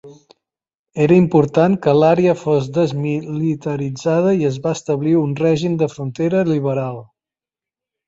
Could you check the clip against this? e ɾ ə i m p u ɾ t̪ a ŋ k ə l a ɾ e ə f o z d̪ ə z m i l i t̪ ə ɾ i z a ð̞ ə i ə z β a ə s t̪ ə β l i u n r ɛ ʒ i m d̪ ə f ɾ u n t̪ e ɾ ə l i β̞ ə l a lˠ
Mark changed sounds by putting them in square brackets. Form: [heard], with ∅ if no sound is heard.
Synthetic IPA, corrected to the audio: e ɾ ə i m p u ɾ t̪ a ŋ k ə l a ɾ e ə f o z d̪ ə z m i l i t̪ ə ɾ i [d͡z] a ð̞ ə i ə z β a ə s t̪ ə β l i u n r ɛ ʒ i m d̪ ə f ɾ u n t̪ e ɾ ə l i β̞ ə [ɾ] a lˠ